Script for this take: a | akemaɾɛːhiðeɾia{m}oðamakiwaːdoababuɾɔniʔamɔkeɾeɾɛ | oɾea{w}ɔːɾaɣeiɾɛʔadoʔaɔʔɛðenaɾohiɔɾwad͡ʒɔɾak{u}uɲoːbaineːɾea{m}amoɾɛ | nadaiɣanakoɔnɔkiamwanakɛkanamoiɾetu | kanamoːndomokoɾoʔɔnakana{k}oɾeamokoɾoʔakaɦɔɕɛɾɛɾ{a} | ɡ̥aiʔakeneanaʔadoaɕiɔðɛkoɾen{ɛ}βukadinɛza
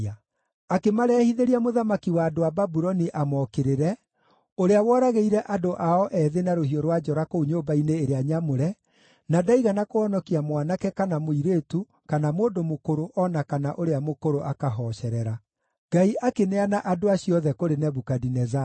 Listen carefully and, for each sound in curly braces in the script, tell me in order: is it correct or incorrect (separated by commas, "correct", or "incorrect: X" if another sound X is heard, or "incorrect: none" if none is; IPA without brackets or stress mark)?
correct, correct, incorrect: o, incorrect: ɲ, incorrect: ʔ, correct, correct